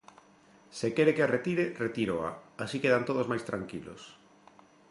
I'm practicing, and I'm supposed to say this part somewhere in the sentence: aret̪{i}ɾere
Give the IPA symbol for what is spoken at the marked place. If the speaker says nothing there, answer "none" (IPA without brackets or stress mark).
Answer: i